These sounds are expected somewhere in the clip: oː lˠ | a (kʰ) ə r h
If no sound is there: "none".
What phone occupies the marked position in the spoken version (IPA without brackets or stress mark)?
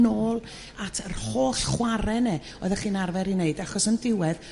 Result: tʰ